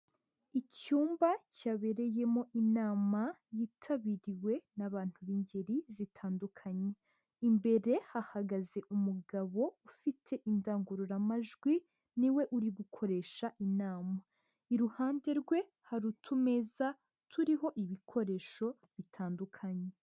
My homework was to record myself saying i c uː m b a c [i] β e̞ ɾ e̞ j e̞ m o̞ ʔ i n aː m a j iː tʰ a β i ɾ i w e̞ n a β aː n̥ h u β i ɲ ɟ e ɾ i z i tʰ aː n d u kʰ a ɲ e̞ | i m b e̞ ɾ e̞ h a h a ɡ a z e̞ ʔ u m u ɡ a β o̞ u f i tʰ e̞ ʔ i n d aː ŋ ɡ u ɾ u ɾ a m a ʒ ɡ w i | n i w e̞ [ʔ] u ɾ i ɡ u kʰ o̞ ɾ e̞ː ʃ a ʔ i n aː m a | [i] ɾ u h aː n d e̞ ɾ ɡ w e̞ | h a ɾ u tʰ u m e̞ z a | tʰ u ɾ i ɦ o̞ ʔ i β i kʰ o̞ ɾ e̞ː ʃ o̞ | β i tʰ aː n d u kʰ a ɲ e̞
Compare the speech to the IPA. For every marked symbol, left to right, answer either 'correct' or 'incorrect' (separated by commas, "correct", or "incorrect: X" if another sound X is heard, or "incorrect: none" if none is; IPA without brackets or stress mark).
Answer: incorrect: a, correct, correct